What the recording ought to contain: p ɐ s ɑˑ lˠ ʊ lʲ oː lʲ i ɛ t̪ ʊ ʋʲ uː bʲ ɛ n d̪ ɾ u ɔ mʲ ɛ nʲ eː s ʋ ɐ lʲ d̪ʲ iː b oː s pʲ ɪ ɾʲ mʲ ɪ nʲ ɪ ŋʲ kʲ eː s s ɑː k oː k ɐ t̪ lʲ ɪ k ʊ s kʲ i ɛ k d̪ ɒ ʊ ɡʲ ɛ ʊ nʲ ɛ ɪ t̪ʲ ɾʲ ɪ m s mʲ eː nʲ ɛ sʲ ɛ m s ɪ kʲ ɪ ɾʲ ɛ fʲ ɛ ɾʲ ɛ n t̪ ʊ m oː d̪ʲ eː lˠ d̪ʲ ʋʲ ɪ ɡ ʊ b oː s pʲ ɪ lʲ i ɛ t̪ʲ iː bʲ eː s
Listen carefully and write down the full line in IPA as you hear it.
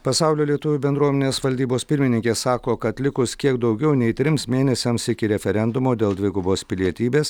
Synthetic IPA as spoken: p ɐ s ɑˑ ʊ lʲ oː lʲ i ɛ t̪ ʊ ʋʲ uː bʲ ɛ n d̪ ɾ u ɔ mʲ ɛ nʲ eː s ʋ ɐ lʲ d̪ʲ iː b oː s pʲ ɪ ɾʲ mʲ ɪ nʲ ɪ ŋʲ kʲ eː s s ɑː k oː k ɐ t̪ lʲ ɪ k ʊ s kʲ i ɛ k d̪ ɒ ʊ ɡʲ ɛ ʊ nʲ ɛ ɪ t̪ʲ ɾʲ ɪ m s mʲ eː nʲ ɛ sʲ ɛ m s ɪ kʲ ɪ ɾʲ ɛ fʲ ɛ ɾʲ ɛ n d̪ ʊ m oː d̪ʲ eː lˠ d̪ʲ ʋʲ ɪ ɡ ʊ b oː s pʲ ɪ lʲ i ɛ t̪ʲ iː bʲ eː s

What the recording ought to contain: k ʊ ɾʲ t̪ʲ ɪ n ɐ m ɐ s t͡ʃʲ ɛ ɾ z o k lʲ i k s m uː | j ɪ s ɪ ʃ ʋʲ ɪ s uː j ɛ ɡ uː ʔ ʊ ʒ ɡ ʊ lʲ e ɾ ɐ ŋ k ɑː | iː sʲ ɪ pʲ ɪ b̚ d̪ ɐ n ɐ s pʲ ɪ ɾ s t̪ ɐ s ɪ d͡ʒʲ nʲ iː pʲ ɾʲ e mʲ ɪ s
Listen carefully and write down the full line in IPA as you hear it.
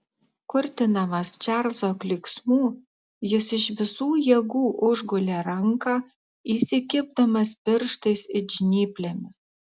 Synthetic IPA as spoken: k ʊ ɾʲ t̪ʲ ɪ n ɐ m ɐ s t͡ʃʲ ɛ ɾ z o k lʲ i k s m uː | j ɪ s ɪ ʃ ʋʲ ɪ s uː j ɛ ɡ uː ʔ ʊ ʒ ɡ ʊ lʲ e ɾ ɐ ŋ k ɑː | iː sʲ ɪ kʲ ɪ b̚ d̪ ɐ m ɐ s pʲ ɪ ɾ ʃ t̪ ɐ s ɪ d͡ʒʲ nʲ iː pʲ lʲ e mʲ ɪ s

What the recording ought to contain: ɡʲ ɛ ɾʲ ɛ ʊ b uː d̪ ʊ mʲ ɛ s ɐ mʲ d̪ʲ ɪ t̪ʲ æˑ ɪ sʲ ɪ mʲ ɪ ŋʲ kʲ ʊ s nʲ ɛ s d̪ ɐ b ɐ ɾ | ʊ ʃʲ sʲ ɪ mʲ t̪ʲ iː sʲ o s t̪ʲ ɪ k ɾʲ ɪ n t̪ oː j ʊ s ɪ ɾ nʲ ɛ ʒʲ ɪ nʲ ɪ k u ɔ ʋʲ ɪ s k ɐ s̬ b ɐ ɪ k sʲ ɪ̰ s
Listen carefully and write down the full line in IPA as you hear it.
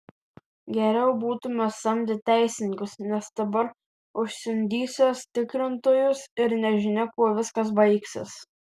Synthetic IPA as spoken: ɡʲ ɛ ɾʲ ɛ ʊ b uː t̪ ʊ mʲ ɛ s ɐ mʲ d̪ʲ ɪ t̪ʲ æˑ ɪ sʲ ɪ nʲ ɪ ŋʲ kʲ ʊ s nʲ ɛ s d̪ ɐ b ɐ ɾ | ʊ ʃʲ sʲ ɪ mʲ d̪ʲ iː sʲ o s t̪ʲ ɪ k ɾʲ ɪ n t̪ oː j ʊ s ɪ ɾ nʲ ɛ ʒʲ ɪ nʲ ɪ k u ɔ ʋʲ ɪ s k ɐ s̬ b ɐ ɪ k sʲ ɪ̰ s

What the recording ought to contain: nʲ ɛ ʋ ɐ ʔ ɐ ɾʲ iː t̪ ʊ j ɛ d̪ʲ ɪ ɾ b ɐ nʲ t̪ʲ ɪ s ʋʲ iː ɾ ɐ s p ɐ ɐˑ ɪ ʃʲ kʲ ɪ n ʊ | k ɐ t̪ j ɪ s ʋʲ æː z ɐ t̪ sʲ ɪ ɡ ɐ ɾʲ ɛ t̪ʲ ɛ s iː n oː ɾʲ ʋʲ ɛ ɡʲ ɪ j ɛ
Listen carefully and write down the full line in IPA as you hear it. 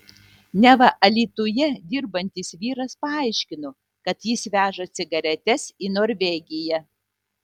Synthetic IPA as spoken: nʲ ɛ ʋ ɐ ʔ ɐ lʲ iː t̪ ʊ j ɛ d̪ʲ ɪ ɾ b ɐ nʲ t̪ʲ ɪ s ʋʲ iː ɾ ɐ s p ɐ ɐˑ ɪ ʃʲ kʲ ɪ n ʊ | k ɐ t̪ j ɪ s ʋʲ æː ʒ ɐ t̪ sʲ ɪ ɡ ɐ ɾʲ ɛ t̪ʲ ɛ s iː n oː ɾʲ ʋʲ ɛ ɡʲ ɪ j ɛ

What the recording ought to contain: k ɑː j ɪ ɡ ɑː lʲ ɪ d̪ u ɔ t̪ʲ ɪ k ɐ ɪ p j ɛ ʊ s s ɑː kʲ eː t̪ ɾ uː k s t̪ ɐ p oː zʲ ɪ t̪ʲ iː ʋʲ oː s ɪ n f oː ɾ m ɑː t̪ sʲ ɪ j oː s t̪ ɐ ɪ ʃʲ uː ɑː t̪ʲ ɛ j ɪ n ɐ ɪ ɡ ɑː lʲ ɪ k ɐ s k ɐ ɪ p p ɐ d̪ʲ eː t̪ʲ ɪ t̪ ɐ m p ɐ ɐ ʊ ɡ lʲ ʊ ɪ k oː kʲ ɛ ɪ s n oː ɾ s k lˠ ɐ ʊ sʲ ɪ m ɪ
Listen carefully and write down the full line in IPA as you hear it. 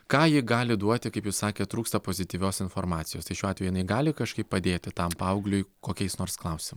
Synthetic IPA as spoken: k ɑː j ɪ ɡ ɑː lʲ ɪ d̪ u ɔ t̪ʲ ɪ k ɐ ɪ p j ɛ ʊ s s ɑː kʲ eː t̪ ɾ uː k s t̪ ɐ p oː zʲ ɪ t̪ʲ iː ʋʲ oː s ɪ n f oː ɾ m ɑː t̪ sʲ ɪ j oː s t̪ ɐ ɪ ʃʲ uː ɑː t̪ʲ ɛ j ɪ n ɐ ɪ ɡ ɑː lʲ ɪ k ɐ ʃ k ɐ ɪ p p ɐ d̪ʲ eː t̪ʲ ɪ t̪ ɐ m p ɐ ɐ ʊ ɡ lʲ ʊ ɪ k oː kʲ ɛ ɪ s n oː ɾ s k lˠ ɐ ʊ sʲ ɪ m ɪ

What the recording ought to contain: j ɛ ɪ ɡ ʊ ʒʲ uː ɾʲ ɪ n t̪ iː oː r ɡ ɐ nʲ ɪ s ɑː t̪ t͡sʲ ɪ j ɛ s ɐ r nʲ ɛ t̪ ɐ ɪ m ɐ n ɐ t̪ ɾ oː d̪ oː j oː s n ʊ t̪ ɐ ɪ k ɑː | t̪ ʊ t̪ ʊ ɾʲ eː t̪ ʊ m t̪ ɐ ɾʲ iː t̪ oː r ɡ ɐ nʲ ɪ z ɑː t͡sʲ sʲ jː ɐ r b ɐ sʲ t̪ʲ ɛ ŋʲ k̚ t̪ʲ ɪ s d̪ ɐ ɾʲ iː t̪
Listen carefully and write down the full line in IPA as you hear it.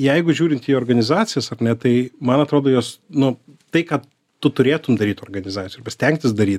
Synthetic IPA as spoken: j ɛ ɪ ɡ ʊ ʒʲ uː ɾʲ ɪ n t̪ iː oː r ɡ ɐ nʲ ɪ z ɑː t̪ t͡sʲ ɪ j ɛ s ɐ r nʲ ɛ t̪ ɐ ɪ m ɐ n ɐ t̪ ɾ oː d̪ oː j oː s n ʊ t̪ ɐ ɪ k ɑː | t̪ ʊ t̪ ʊ ɾʲ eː t̪ ʊ m d̪ ɐ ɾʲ iː t̪ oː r ɡ ɐ nʲ ɪ z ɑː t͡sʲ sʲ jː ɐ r b ɐ sʲ t̪ʲ ɛ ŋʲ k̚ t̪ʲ ɪ s d̪ ɐ ɾʲ iː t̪

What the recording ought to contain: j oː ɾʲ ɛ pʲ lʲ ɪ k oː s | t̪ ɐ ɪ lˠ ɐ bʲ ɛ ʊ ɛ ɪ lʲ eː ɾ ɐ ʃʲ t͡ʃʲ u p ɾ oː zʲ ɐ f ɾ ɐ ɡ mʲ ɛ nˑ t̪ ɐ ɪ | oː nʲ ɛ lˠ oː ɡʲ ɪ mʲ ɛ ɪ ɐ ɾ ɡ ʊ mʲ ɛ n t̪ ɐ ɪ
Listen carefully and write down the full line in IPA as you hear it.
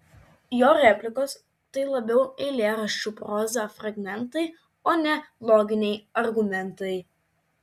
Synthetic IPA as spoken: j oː ɾʲ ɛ pʲ lʲ ɪ k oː s | t̪ ɐ ɪ lˠ ɐ bʲ ɛ ʊ ɛ ɪ lʲ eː ɾ ɐ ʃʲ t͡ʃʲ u p ɾ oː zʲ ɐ f ɾ ɐ ɡ mʲ ɛ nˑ t̪ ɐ ɪ | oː nʲ ɛ lˠ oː ɡʲ ɪ nʲ ɛ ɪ ɐ ɾ ɡ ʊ mʲ ɛ n t̪ ɐ ɪ

